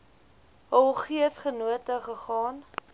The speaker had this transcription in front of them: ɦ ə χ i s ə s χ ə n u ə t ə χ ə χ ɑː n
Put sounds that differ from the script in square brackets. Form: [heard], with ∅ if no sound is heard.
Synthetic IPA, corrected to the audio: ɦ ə χ i [∅] ə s χ ə n u ə t ə χ ə χ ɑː n